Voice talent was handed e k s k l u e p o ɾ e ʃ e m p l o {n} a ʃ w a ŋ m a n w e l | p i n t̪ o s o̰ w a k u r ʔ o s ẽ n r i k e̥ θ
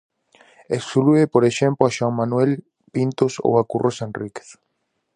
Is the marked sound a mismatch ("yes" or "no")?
yes